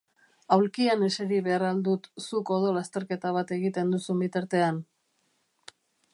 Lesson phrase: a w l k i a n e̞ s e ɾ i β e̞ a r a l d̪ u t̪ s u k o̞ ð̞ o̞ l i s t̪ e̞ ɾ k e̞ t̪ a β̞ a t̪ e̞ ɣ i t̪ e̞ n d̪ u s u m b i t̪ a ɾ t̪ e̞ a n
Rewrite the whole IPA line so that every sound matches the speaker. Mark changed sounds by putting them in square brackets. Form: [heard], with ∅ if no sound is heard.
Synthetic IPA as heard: a w l k i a n e̞ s e ɾ i β e̞ a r a l d̪ u t̪ s u k o̞ ð̞ o̞ l [a] s t̪ e̞ ɾ k e̞ t̪ a β̞ a t̪ e̞ ɣ i t̪ e̞ n d̪ u s u m b i t̪ a ɾ t̪ e̞ a n